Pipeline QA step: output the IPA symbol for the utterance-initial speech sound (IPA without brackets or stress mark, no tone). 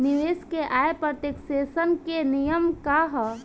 n